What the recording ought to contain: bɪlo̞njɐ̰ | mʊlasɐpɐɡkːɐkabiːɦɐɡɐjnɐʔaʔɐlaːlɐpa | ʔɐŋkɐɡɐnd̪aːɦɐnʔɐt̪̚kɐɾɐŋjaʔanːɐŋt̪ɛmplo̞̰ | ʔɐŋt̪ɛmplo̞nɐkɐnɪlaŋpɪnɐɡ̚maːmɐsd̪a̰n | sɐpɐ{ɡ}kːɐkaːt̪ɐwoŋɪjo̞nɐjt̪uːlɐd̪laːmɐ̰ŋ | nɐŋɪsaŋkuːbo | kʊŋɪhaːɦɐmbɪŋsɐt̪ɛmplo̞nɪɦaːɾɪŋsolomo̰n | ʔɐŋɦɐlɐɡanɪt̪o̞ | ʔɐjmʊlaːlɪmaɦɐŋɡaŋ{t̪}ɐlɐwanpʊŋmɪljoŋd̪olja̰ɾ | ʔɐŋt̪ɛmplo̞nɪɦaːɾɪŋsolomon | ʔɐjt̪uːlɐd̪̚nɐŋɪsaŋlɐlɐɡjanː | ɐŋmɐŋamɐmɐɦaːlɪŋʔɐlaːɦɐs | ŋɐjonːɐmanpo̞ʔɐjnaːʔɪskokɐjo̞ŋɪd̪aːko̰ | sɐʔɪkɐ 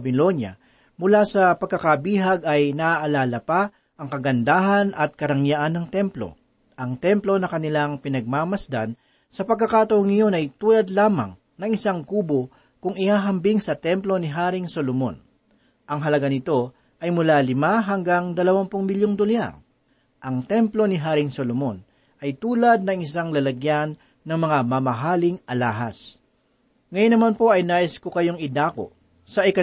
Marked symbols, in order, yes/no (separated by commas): yes, no